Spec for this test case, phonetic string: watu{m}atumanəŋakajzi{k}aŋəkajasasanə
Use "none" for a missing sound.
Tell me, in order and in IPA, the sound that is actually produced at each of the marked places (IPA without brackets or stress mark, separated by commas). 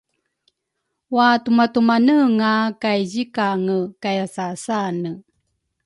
m, k